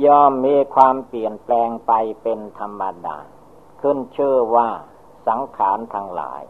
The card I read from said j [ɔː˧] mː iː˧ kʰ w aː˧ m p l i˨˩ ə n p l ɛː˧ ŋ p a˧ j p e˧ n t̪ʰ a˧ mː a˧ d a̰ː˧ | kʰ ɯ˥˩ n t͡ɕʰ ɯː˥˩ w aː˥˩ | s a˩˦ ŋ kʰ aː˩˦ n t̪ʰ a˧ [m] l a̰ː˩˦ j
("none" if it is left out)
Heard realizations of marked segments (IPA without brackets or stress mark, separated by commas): ɔː˥˩, ŋ